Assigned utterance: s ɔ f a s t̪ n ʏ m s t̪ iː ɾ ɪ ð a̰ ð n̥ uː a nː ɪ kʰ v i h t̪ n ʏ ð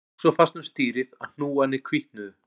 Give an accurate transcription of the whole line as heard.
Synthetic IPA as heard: s ɔ f a s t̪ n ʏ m s t̪ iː ɾ ɪ ð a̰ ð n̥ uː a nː ɪ kʰ v i h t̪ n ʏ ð